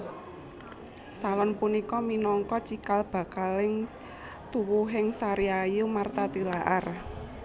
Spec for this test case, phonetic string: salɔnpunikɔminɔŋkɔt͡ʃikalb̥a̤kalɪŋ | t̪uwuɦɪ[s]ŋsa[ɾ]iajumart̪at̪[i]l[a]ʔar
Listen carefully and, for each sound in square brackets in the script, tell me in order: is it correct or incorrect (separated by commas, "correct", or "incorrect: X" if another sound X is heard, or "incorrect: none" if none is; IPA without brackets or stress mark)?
incorrect: none, correct, correct, correct